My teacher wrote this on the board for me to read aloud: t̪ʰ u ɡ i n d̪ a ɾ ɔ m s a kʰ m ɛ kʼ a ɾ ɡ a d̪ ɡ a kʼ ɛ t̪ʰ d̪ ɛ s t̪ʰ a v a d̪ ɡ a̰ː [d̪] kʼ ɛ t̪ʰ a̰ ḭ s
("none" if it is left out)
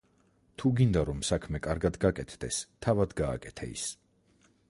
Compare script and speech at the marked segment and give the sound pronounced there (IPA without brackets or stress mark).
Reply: none